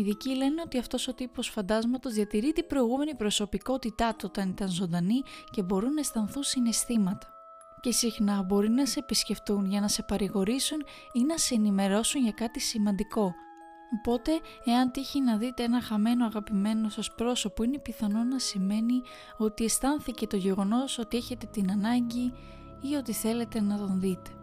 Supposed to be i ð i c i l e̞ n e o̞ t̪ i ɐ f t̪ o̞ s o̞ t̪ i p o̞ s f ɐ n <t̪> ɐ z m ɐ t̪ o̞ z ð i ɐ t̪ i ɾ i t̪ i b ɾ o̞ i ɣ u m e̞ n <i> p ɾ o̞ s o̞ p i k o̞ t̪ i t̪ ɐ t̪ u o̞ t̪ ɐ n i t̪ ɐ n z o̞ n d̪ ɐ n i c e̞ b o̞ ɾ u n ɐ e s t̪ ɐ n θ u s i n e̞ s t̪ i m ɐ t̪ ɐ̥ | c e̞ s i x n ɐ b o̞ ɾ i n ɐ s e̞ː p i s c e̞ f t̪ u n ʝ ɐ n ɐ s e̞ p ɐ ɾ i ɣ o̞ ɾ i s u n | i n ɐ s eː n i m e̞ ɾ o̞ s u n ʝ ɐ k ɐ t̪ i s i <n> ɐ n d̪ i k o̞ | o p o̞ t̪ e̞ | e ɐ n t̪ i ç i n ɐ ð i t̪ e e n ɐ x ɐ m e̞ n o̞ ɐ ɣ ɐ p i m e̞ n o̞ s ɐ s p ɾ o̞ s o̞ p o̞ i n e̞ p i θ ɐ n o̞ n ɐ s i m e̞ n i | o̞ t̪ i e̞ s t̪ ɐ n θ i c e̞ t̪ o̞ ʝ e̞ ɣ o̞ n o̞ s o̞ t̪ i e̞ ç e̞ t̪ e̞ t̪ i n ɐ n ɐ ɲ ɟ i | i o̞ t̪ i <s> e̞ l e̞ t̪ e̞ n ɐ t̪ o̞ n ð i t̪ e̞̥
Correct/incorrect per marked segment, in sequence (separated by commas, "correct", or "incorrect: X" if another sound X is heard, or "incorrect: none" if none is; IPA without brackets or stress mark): incorrect: d̪, correct, incorrect: m, incorrect: θ